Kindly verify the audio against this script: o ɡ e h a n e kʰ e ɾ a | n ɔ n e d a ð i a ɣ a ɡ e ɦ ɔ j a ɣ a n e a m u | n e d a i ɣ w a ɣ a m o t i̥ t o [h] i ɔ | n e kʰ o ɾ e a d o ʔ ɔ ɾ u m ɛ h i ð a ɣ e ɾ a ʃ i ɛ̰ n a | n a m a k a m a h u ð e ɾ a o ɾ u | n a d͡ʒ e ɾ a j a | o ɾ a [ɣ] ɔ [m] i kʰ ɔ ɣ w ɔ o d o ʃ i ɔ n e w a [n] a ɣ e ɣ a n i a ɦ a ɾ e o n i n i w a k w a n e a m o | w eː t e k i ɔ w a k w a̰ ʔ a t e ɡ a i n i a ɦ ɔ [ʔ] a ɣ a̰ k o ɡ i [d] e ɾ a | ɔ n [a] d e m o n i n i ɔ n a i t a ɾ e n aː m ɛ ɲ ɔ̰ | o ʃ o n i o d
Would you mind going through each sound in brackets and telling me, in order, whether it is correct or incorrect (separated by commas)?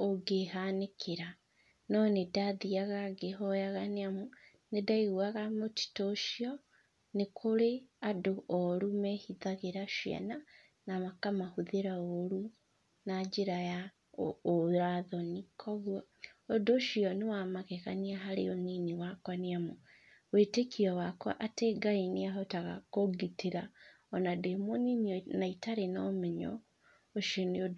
incorrect, incorrect, incorrect, incorrect, incorrect, incorrect, correct